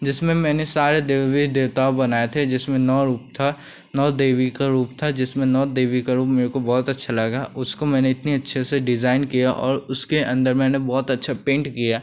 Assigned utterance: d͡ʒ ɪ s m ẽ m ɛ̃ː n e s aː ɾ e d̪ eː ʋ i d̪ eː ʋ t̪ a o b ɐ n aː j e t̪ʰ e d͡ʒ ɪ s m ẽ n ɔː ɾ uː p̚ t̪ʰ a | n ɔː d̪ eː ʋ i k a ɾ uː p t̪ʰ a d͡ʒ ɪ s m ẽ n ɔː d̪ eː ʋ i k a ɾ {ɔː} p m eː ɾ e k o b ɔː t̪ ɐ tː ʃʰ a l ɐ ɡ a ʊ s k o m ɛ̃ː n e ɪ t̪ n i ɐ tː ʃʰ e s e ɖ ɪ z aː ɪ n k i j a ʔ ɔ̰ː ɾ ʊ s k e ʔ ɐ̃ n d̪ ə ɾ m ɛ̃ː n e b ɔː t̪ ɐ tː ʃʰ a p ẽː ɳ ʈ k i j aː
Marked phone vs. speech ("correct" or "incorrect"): incorrect